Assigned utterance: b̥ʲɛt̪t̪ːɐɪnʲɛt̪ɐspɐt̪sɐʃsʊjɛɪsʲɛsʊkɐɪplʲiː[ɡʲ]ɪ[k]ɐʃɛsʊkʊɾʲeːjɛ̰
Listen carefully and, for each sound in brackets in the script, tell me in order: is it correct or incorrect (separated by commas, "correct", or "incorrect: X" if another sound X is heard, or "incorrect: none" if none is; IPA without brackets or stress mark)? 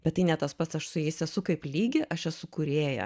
correct, incorrect: ʔ